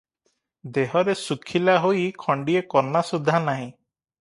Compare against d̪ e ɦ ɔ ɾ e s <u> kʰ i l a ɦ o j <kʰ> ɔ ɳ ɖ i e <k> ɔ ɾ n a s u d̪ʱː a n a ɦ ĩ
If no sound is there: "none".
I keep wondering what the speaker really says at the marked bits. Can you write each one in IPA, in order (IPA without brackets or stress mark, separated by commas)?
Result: u, kʰ, k